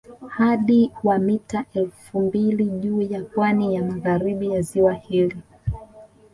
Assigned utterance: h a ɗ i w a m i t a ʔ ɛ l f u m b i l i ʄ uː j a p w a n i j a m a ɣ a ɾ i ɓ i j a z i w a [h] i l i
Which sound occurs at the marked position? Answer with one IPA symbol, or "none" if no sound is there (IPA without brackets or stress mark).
h